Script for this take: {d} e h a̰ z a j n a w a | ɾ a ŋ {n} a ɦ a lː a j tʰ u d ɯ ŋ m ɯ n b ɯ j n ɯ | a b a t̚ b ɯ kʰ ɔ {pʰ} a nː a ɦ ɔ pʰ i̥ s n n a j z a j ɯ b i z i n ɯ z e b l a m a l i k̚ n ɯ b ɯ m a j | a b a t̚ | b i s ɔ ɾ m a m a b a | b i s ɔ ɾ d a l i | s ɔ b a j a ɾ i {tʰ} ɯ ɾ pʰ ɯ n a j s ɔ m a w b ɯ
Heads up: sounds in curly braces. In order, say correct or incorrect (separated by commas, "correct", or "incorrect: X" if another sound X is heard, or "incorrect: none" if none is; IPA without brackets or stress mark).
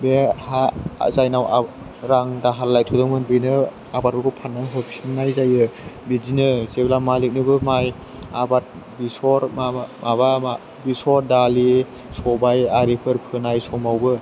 incorrect: b, incorrect: d, correct, incorrect: pʰ